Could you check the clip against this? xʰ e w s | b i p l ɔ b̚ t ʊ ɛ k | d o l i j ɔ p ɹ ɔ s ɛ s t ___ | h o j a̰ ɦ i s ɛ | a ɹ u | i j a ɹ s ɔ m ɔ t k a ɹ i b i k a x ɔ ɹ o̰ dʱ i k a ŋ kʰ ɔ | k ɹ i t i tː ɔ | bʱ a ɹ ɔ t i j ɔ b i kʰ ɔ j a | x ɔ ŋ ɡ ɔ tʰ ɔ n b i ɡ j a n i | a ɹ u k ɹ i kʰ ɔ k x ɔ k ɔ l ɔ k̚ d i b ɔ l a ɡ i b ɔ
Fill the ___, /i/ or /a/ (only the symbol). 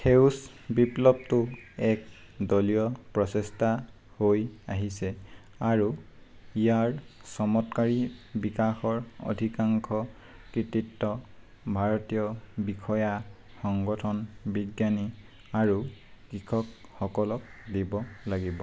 a